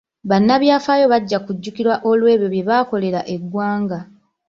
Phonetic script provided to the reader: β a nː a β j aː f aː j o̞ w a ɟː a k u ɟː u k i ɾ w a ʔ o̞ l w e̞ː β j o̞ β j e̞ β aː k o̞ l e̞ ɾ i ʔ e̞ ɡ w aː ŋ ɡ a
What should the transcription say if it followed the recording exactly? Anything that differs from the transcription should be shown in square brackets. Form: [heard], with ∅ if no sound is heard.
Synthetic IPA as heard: β a nː a β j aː f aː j o̞ [β] a ɟː a k u ɟː u k i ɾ w a ʔ o̞ l w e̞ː β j o̞ β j e̞ β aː k o̞ l e̞ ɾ [a] ʔ e̞ ɡ w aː ŋ ɡ a